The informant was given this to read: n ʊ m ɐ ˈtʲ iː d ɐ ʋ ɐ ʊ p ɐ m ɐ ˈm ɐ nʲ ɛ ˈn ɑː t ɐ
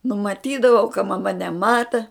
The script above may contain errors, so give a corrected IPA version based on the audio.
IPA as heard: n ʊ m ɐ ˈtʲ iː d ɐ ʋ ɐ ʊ k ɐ m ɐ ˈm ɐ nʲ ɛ ˈm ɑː t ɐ